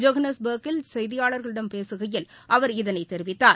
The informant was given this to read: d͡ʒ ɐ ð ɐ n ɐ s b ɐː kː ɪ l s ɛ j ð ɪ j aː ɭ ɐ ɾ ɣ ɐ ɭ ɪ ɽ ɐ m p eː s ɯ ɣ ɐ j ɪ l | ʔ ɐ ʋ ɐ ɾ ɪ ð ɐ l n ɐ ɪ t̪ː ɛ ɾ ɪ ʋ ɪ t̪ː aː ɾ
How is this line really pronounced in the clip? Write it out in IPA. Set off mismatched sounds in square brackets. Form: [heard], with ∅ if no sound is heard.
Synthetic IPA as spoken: d͡ʒ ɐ [ɣ] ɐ n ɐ s b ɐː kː ɪ l s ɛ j ð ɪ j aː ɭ ɐ ɾ ɣ ɐ ɭ ɪ ɽ ɐ m p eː s ɯ ɣ ɐ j ɪ l | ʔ ɐ ʋ ɐ ɾ ɪ ð ɐ [∅] n ɐ ɪ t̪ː ɛ ɾ ɪ ʋ ɪ t̪ː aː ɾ